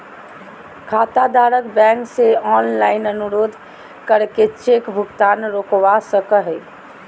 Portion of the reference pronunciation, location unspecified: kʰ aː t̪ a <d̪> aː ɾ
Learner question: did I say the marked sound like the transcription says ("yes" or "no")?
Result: yes